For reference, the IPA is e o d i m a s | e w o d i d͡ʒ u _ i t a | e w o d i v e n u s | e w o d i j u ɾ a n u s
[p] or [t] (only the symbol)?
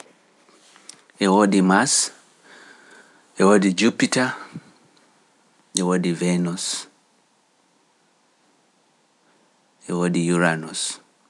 p